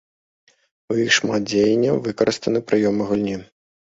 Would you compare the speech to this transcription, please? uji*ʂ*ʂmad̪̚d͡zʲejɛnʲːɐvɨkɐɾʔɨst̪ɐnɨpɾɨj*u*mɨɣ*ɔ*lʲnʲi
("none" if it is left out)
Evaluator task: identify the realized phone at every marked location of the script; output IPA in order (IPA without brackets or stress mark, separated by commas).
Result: x, ɔ, u